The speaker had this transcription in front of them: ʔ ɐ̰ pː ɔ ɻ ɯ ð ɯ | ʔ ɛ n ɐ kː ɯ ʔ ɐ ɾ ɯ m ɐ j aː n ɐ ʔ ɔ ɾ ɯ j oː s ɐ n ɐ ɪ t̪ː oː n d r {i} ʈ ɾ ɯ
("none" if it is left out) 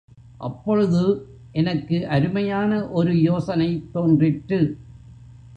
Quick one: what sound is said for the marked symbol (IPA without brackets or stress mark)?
ɪ